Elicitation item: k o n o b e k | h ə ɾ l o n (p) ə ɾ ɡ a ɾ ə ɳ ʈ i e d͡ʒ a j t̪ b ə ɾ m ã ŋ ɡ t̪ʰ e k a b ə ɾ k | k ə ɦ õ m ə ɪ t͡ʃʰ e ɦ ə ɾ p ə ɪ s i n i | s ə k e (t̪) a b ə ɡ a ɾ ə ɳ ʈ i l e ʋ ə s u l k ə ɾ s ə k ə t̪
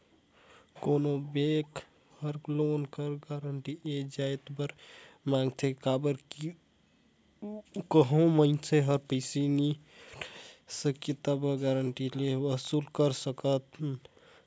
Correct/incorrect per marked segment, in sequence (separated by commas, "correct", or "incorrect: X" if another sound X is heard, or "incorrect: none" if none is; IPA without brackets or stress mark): incorrect: k, correct